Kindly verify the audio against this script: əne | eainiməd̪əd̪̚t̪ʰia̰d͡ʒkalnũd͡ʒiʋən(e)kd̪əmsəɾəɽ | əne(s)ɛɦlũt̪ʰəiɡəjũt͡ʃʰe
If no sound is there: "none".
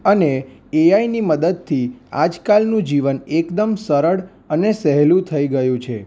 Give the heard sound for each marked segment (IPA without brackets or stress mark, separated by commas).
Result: e, s